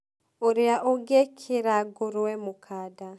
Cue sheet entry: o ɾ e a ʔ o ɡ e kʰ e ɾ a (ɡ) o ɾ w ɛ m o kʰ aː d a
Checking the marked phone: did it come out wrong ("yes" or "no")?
no